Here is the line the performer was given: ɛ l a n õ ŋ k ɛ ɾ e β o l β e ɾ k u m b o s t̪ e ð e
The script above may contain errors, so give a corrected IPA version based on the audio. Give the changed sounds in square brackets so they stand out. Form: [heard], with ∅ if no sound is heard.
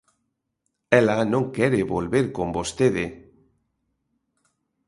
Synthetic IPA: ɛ l a n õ ŋ k ɛ ɾ e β o l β e ɾ k [o] m b o s t̪ e ð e